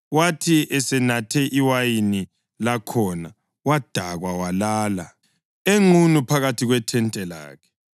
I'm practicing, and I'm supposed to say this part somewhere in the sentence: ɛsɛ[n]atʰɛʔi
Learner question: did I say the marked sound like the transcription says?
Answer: yes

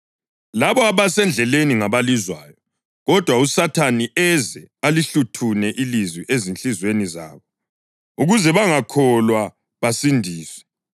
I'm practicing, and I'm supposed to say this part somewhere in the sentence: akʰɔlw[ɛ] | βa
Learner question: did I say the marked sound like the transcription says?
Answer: no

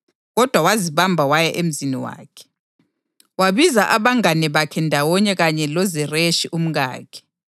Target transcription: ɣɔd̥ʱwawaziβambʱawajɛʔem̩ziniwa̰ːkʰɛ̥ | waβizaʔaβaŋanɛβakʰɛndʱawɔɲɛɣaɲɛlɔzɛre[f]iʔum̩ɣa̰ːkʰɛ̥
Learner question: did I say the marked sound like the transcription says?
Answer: no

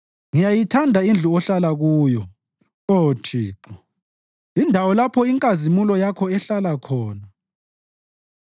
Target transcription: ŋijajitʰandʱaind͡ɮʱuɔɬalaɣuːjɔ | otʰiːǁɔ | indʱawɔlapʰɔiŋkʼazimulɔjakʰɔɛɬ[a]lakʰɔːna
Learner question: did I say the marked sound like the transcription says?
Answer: yes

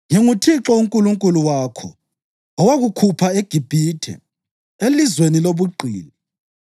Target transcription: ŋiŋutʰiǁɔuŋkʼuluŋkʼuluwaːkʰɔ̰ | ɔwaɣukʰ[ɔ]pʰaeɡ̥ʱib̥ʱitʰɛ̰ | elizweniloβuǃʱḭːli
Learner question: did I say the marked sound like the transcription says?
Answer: no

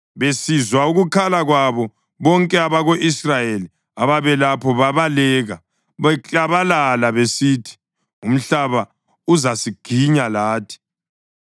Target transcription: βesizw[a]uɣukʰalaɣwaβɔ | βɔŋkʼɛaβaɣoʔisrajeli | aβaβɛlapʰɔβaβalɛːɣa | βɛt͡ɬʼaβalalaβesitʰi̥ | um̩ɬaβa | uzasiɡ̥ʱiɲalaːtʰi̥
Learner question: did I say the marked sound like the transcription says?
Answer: yes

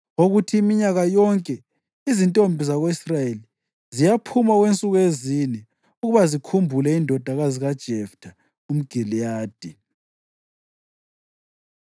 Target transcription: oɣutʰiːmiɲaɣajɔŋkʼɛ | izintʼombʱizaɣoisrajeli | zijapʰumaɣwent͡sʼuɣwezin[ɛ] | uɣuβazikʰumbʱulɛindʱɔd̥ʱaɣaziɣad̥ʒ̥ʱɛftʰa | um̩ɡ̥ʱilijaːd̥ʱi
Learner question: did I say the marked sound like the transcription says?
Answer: yes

